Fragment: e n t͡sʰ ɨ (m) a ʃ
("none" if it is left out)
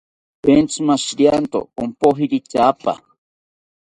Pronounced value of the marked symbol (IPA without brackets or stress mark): m